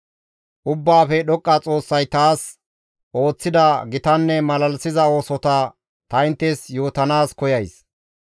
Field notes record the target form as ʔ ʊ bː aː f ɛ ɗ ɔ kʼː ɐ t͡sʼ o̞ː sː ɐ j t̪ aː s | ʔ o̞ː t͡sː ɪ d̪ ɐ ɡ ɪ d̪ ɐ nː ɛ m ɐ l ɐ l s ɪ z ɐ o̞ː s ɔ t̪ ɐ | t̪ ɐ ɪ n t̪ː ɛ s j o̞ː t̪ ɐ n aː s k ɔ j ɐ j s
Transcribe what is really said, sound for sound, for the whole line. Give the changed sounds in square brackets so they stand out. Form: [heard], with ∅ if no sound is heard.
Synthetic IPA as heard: ʔ ʊ bː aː f ɛ ɗ ɔ kʼː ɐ t͡sʼ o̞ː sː ɐ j t̪ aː s | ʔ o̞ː t͡sː ɪ d̪ ɐ ɡ ɪ [t̪] ɐ nː ɛ m ɐ l ɐ l s ɪ z ɐ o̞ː s ɔ t̪ ɐ | t̪ ɐ ɪ n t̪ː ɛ s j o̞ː t̪ ɐ n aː s k ɔ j ɐ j s